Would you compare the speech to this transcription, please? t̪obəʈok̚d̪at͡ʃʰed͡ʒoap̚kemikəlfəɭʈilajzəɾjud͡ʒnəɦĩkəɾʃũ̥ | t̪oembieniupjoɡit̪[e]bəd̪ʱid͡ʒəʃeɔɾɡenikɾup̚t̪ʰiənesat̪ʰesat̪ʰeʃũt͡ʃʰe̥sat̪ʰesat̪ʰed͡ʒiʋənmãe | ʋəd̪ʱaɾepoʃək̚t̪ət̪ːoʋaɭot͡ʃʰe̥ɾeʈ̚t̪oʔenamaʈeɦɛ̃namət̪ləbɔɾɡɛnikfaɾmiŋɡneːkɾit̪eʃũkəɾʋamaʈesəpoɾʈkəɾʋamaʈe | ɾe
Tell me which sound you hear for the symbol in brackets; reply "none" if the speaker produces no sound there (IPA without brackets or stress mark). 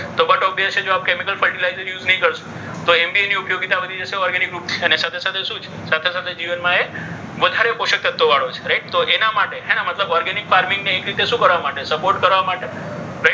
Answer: a